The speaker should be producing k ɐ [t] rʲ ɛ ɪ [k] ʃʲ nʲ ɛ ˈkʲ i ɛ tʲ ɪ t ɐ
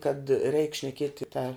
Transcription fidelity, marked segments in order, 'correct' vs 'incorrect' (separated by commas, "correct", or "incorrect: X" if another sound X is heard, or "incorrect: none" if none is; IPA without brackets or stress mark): correct, correct